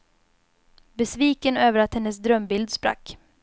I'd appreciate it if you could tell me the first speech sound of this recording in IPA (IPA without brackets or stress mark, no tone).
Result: b